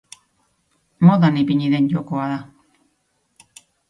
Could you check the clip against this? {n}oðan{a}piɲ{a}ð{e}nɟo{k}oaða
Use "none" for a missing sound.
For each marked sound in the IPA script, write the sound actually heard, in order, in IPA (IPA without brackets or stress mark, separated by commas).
m, i, i, e, k